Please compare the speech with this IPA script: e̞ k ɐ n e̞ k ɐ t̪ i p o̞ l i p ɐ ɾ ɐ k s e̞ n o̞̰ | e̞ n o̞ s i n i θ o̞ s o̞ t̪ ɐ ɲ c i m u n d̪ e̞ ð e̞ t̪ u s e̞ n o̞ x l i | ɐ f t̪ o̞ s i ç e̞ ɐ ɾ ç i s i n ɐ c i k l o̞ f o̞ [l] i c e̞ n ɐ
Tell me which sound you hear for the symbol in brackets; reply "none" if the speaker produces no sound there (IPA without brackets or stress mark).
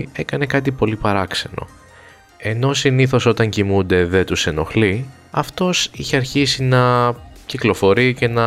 ɾ